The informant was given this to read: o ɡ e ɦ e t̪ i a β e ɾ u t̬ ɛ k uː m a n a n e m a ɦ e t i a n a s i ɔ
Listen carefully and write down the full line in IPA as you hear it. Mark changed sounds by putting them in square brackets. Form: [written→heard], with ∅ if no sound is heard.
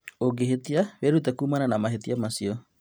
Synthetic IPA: o ɡ e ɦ e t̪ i a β e ɾ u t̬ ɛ k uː m a n a n [e→a] m a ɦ e t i a [n→m] a s i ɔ